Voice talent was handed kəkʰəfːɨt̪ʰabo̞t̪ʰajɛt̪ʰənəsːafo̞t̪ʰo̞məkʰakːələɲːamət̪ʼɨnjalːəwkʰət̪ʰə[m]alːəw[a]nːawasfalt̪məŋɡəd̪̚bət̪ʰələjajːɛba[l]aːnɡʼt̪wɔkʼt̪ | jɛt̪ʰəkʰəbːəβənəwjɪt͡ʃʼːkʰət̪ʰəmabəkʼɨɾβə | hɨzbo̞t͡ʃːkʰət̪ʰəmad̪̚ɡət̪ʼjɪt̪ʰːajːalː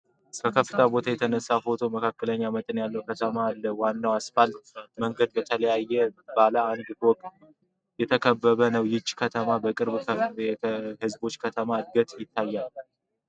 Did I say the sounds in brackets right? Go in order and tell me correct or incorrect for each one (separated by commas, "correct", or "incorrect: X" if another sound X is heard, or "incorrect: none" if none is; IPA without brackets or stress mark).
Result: correct, correct, correct